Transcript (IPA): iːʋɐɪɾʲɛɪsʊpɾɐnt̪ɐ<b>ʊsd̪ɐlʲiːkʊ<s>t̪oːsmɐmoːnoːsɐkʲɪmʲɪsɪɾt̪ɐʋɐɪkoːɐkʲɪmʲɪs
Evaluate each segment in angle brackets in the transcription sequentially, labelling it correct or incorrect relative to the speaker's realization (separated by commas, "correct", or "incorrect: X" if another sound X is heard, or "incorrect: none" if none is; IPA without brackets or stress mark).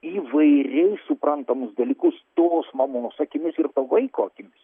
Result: incorrect: m, correct